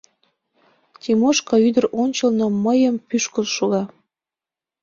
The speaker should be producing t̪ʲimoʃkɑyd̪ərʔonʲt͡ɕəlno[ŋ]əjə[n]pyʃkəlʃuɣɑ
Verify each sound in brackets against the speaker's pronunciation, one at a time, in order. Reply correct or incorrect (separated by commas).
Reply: incorrect, incorrect